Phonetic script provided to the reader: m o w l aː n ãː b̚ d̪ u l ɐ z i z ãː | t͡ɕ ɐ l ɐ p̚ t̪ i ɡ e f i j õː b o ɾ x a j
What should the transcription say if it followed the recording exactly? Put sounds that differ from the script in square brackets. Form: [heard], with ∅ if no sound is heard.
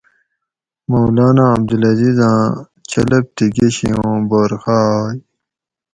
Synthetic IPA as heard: m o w l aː n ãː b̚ d̪ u l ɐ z i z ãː | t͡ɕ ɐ l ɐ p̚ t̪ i ɡ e [ɕ] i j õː b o ɾ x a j

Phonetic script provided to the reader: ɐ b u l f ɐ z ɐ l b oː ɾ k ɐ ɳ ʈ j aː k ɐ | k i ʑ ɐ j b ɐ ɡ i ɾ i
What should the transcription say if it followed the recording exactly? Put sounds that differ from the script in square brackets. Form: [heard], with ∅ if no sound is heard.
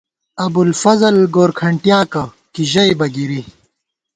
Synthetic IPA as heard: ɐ b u l f ɐ z ɐ l [ɡ] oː ɾ [kʰ] ɐ ɳ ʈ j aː k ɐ | k i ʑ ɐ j b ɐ ɡ i ɾ i

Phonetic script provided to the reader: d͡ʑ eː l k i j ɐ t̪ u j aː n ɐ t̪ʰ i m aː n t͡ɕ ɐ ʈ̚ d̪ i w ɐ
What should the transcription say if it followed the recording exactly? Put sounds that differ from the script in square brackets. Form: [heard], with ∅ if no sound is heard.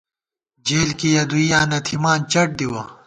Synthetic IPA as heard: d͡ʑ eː l k i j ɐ [d̪] u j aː n ɐ t̪ʰ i m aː n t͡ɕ ɐ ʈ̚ d̪ i w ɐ

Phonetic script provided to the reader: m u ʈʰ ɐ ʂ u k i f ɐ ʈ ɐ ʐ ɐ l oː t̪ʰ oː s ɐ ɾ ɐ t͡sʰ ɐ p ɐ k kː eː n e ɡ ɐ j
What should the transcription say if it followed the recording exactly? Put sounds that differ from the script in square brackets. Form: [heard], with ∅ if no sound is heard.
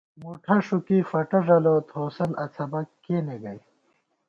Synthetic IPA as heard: m u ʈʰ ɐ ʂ u k i f ɐ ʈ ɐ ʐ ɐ l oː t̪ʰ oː s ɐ [l] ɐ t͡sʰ ɐ [b] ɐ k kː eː n e ɡ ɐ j

